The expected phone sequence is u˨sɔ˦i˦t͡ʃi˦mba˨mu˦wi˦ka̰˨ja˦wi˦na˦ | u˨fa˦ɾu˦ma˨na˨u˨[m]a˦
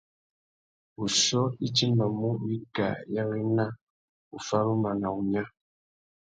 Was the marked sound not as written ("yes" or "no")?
yes